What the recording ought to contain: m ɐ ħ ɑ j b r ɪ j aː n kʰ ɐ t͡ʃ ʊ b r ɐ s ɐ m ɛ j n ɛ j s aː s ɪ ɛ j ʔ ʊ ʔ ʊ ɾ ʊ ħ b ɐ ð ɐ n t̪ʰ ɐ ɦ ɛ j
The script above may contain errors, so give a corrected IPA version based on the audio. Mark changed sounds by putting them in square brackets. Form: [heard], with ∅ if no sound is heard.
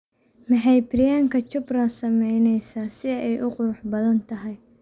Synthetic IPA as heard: m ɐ ħ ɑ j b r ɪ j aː [ŋ] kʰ ɐ t͡ʃ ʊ b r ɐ s ɐ m ɛ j n ɛ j s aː s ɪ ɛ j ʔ ʊ [q] ʊ ɾ ʊ ħ b ɐ ð ɐ n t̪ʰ ɐ ɦ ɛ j